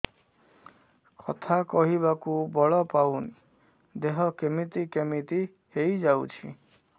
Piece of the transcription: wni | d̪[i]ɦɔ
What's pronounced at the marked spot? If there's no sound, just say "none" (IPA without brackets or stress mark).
e